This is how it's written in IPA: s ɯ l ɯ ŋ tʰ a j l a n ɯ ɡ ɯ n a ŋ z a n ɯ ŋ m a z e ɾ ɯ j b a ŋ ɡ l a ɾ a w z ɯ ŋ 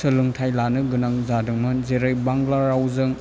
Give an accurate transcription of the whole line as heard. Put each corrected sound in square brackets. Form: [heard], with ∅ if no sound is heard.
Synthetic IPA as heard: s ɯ l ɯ ŋ tʰ a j l a n ɯ ɡ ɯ n a ŋ z a [d] ɯ ŋ m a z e ɾ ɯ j b a ŋ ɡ l a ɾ a w z ɯ ŋ